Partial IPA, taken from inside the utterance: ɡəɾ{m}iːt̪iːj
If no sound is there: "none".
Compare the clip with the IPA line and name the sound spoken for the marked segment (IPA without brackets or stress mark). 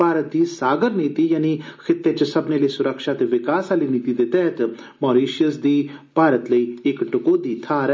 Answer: n